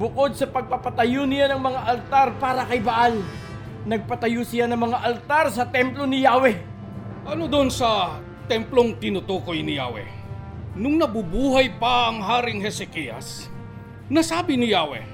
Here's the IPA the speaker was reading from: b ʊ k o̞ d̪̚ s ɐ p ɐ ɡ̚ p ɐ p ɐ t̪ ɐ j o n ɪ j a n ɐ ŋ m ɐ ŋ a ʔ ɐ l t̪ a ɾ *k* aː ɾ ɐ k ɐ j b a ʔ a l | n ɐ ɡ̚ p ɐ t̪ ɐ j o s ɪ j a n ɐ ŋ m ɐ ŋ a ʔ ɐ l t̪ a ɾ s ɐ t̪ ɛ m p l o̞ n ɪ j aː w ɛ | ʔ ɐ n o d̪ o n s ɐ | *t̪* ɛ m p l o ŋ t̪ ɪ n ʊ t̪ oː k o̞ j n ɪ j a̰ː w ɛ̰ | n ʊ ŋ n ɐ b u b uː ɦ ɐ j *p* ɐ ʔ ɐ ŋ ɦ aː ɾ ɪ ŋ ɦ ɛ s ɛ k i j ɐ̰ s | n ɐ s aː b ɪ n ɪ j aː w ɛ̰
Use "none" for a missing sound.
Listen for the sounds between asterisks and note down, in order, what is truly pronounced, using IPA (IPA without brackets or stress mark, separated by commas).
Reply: p, t̪, p